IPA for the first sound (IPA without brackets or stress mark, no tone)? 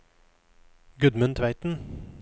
ɡ